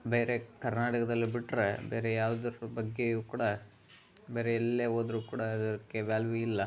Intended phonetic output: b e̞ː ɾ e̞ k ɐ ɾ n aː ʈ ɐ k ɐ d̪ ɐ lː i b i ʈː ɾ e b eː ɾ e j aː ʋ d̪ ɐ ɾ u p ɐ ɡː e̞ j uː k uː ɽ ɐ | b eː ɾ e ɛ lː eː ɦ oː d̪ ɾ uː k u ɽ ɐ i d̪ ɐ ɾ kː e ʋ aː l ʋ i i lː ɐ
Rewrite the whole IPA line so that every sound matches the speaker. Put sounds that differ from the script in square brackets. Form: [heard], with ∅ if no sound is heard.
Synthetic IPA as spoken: b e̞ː ɾ e̞ k ɐ ɾ n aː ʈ ɐ k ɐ d̪ ɐ lː i b i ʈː ɾ e b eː ɾ e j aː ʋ d̪ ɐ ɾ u [b] ɐ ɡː e̞ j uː k uː ɽ ɐ | b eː ɾ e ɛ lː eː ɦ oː d̪ ɾ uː k [uː] ɽ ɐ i d̪ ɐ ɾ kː e ʋ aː l ʋ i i lː ɐ